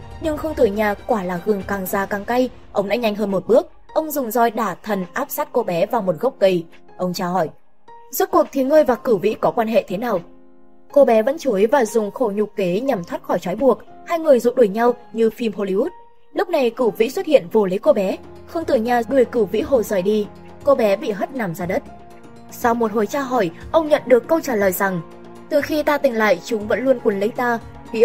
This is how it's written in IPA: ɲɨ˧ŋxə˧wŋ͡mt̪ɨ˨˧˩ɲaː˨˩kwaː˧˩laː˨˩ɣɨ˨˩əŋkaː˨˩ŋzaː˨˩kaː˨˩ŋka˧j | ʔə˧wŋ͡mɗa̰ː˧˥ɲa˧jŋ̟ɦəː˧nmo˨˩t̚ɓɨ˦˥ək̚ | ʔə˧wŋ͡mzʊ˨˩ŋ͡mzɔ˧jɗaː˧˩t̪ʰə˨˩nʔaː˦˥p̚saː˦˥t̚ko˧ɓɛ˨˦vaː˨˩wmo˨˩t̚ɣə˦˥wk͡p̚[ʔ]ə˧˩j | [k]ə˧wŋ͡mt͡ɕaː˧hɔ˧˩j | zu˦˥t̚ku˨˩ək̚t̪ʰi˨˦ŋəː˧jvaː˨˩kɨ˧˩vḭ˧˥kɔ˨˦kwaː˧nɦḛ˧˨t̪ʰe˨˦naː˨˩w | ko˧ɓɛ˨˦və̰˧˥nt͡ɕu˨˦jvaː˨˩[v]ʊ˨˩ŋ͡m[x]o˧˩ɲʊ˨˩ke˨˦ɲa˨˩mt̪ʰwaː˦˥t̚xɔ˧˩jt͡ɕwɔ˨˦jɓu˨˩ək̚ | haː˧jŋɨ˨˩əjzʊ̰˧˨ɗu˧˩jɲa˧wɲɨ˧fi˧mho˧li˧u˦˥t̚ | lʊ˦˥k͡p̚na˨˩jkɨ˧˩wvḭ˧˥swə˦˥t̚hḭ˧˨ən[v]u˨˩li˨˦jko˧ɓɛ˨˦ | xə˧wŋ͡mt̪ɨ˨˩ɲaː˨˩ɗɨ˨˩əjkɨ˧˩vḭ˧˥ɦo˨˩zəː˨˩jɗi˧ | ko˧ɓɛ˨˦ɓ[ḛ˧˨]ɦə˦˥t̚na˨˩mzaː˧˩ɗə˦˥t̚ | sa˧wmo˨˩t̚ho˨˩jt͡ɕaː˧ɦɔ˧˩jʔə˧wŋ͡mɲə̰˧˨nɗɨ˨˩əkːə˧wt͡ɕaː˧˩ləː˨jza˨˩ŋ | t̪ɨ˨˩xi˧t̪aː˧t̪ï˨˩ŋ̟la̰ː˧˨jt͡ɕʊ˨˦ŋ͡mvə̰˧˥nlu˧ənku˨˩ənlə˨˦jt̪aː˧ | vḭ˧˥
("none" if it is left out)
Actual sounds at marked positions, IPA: k, ʔ, z, x, v, ḭ˧˨

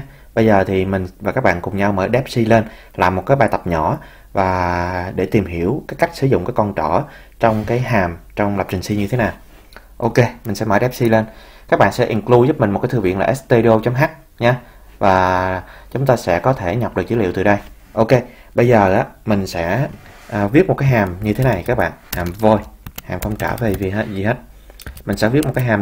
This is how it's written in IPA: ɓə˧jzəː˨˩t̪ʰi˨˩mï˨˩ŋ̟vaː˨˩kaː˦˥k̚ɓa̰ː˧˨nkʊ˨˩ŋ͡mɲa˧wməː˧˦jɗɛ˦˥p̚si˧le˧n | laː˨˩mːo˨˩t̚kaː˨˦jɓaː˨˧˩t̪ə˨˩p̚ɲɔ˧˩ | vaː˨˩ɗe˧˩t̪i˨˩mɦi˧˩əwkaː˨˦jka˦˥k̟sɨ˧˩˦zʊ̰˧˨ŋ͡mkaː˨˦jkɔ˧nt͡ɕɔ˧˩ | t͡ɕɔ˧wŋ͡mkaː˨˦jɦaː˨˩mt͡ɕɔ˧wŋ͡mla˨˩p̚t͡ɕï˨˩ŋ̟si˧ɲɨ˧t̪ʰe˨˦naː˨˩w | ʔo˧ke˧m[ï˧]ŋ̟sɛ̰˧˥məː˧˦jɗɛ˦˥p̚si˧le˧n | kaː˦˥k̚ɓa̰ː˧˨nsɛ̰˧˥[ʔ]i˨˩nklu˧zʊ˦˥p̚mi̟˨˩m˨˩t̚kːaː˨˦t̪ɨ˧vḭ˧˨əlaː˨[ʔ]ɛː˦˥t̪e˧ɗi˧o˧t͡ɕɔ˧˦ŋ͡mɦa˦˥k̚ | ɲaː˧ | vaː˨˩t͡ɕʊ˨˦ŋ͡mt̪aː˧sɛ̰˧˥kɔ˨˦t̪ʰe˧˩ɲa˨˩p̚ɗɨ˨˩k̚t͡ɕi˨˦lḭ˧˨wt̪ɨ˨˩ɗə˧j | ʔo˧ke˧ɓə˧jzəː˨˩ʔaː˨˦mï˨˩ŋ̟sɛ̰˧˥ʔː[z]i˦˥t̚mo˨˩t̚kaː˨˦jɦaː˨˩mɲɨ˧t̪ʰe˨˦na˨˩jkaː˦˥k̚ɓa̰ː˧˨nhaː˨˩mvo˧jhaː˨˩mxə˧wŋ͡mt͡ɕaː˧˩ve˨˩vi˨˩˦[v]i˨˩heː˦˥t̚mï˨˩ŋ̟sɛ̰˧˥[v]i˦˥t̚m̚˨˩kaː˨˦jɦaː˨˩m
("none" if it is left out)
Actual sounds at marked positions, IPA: ï˨˩, ʔ, ʔ, v, z, v

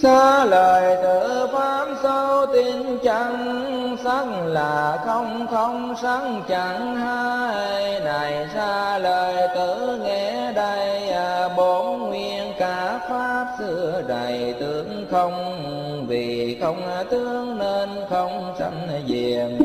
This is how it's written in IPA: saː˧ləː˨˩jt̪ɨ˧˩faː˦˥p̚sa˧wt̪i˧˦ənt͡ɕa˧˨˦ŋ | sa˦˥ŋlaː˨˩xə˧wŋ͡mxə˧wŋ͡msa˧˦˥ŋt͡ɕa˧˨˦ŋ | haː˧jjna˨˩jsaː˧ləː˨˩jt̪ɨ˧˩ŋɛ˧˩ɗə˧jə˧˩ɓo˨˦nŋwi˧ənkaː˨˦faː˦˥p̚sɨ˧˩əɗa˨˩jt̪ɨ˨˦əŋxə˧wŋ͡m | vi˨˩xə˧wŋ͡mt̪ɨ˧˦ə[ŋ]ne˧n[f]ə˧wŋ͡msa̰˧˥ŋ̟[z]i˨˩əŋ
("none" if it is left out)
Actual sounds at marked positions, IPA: ŋ, x, z

